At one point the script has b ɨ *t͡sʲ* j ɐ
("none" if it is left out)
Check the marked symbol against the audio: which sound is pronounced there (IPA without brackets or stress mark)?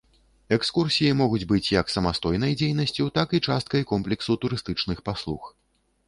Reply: t͡sʲ